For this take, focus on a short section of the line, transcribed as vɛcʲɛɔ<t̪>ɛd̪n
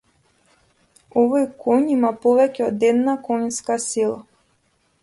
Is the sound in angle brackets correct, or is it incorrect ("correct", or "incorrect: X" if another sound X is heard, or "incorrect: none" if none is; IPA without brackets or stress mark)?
incorrect: d̪